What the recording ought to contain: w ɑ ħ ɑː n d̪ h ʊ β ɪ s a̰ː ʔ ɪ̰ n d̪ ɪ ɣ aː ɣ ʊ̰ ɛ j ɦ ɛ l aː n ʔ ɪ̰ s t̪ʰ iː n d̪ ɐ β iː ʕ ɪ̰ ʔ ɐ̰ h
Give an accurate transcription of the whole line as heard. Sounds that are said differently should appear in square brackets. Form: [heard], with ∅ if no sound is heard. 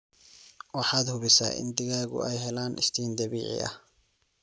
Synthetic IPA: w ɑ ħ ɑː [∅] d̪ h ʊ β ɪ s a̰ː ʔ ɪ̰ n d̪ ɪ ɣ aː ɣ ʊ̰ ɛ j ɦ ɛ l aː n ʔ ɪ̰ s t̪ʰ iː n d̪ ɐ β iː ʕ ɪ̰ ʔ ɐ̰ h